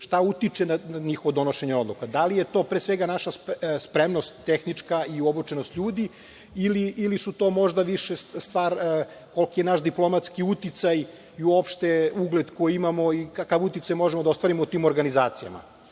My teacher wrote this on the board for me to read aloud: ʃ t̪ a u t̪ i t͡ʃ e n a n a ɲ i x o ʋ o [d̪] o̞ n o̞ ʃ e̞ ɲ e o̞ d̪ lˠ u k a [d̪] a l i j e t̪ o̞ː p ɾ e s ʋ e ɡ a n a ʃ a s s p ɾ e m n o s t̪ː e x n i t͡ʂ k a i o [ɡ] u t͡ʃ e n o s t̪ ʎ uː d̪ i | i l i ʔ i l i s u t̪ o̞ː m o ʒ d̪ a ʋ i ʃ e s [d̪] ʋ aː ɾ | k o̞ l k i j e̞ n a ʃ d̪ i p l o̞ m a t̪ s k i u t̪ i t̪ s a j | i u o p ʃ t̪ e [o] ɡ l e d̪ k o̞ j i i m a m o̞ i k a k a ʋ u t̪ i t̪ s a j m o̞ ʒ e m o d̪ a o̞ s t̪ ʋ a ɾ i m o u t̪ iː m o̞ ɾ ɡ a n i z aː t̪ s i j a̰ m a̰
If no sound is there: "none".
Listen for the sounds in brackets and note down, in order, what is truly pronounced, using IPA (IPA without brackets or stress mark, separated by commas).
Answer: d̪, d̪, b, t̪, u